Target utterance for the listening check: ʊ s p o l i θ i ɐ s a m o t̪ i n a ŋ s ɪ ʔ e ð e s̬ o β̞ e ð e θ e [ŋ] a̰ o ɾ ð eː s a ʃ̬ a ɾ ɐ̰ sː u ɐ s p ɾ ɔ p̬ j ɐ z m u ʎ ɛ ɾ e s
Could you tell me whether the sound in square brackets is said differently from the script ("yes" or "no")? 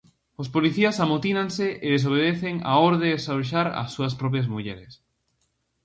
no